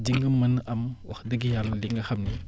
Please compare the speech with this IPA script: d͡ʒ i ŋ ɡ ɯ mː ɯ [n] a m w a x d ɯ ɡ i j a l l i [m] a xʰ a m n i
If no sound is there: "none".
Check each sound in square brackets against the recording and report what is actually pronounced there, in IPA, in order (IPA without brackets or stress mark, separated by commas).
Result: n, ŋ